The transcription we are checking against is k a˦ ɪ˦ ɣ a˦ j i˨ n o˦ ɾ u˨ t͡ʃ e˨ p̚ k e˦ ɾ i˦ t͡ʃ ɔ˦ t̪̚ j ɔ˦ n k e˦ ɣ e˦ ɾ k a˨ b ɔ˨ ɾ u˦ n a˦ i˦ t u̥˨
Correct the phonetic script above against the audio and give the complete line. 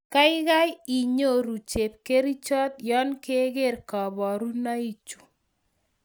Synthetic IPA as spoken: k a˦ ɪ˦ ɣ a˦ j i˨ ɲ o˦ ɾ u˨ t͡ʃ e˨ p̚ k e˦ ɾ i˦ t͡ʃ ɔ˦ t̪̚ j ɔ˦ n k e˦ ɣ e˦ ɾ k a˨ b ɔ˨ ɾ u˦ n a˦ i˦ t͡ʃ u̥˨